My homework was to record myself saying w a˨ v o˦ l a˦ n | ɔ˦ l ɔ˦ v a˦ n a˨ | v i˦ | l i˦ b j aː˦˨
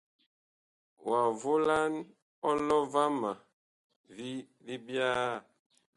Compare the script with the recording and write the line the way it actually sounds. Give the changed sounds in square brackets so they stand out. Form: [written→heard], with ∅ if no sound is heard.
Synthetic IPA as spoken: w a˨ v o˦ l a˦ n | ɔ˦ l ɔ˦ v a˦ [n→m] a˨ | v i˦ | l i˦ b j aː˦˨